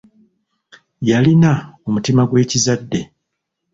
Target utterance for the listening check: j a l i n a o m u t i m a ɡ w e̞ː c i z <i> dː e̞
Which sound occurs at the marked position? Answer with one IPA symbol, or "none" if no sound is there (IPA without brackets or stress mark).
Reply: a